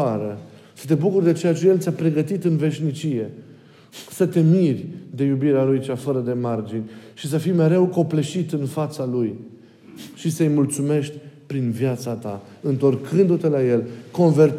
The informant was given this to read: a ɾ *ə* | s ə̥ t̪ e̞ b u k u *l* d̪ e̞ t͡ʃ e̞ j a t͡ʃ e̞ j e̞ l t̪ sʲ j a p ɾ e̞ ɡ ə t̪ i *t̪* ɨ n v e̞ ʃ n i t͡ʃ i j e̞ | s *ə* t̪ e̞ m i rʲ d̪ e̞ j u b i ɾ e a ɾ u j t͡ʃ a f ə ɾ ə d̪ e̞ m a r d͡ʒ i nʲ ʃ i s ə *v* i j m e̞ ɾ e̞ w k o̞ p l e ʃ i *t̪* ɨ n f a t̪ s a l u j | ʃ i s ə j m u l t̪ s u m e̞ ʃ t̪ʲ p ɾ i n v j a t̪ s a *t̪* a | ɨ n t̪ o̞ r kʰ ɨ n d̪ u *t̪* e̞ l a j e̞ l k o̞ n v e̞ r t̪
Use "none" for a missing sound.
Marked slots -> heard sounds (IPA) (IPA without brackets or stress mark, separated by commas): ə, r, t̪, ə, f, t̪, t̪, t̪